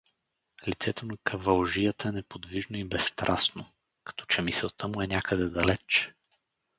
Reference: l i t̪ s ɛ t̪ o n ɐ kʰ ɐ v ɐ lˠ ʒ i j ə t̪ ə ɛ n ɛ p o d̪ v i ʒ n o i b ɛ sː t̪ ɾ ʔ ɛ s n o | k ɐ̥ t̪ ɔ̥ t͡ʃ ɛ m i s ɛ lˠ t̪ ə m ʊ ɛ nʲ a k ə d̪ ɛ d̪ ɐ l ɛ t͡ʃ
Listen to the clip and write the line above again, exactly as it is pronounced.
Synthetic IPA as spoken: l i t̪ s ɛ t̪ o n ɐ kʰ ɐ v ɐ lˠ ʒ i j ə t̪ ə ɛ n ɛ p o d̪ v i ʒ n o i b ɛ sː t̪ ɾ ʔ a s n o | k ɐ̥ t̪ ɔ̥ t͡ʃ ɛ m i s ɛ lˠ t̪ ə m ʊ ɛ nʲ a k ə d̪ ɛ d̪ ɐ l ɛ t͡ʃ